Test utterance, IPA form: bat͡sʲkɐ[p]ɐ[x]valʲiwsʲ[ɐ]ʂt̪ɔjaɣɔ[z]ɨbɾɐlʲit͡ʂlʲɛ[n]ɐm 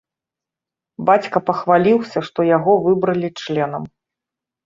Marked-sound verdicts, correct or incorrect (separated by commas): correct, correct, correct, incorrect, correct